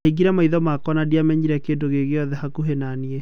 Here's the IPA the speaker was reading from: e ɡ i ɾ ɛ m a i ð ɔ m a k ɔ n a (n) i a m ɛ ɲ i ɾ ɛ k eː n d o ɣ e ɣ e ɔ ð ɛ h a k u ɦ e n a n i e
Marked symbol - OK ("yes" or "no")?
no